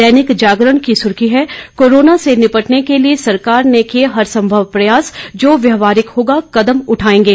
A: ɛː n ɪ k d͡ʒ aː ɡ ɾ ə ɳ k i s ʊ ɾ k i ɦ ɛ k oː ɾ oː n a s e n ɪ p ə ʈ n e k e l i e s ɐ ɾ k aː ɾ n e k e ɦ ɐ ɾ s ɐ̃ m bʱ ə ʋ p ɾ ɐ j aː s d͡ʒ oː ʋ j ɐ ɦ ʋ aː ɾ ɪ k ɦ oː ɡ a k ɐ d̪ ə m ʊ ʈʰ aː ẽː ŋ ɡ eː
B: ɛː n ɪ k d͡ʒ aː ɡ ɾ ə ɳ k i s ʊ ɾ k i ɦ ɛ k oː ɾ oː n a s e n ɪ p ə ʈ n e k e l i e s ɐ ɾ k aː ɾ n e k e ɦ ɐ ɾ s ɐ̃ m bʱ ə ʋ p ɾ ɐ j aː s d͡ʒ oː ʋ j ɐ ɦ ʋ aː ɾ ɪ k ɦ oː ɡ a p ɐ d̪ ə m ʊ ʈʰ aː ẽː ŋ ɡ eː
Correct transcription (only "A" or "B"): A